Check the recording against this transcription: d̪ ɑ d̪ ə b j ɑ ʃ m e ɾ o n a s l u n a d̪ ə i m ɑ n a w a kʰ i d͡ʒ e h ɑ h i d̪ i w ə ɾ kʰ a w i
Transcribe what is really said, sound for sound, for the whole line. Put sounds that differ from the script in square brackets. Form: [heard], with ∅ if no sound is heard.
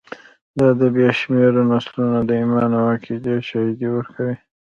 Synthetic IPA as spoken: d̪ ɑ d̪ ə b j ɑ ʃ m e ɾ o n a s l u n a d̪ ə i m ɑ n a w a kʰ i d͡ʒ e [ʃ] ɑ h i d̪ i w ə ɾ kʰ a w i